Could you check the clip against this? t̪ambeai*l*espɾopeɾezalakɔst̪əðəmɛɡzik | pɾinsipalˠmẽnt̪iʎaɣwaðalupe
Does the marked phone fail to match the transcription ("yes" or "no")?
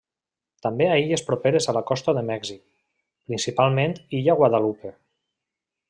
yes